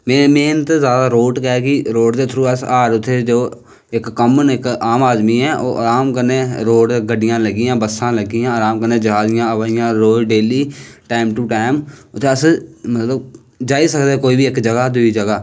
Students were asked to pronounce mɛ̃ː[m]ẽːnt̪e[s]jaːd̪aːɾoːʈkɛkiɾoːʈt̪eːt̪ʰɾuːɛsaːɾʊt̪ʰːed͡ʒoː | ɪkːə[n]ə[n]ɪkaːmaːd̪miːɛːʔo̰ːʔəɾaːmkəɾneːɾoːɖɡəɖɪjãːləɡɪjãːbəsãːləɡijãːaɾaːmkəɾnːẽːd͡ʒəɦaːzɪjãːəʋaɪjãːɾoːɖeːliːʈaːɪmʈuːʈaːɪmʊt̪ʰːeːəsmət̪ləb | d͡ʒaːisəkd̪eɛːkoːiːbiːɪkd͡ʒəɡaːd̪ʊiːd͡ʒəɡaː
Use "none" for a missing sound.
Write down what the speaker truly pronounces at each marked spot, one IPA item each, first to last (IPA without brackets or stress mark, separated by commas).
m, z, m, n